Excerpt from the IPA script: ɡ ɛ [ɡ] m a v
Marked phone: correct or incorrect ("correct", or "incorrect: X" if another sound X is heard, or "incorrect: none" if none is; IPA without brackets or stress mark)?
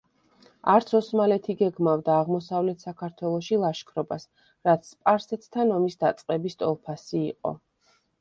correct